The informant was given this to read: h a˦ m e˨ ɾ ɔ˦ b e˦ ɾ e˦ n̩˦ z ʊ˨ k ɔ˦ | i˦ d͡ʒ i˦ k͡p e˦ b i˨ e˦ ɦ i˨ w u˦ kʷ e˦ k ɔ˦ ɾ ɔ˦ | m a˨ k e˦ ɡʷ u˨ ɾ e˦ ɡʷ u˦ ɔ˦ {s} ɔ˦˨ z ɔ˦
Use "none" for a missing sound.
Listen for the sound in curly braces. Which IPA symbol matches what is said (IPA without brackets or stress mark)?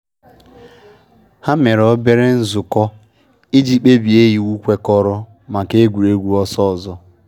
s